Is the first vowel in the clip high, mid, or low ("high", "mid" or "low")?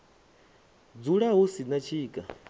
high